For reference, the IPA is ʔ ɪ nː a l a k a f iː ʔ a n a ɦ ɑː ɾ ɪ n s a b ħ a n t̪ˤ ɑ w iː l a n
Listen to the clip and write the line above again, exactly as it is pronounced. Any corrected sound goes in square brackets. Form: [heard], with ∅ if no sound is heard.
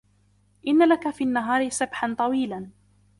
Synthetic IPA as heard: ʔ ɪ nː a l a k a f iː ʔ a [nː] a ɦ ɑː ɾ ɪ [∅] s a b ħ a n t̪ˤ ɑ w iː l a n